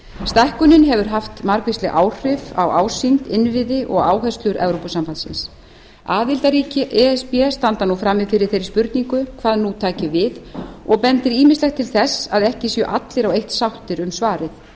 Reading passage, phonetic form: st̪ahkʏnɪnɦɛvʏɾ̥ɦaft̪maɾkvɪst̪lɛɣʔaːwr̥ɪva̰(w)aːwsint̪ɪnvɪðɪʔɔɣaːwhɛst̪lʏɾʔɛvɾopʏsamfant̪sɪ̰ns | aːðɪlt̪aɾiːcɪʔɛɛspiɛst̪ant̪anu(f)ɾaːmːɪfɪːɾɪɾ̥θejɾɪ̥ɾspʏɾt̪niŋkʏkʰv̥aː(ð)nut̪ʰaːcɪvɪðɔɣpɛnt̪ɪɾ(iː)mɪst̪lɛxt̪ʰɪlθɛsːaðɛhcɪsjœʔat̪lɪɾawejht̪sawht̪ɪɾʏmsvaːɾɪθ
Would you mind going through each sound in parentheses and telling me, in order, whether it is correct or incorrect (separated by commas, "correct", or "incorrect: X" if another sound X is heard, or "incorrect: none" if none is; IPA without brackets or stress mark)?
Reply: correct, correct, correct, correct